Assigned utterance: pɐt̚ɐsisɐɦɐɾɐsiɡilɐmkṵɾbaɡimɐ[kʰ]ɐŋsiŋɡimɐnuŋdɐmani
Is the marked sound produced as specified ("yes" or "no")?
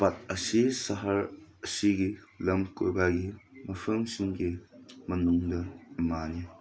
no